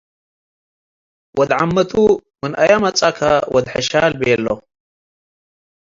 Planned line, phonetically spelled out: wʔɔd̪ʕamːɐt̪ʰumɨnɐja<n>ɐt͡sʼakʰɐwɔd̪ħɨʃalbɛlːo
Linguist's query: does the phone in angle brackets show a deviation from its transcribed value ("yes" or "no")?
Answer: yes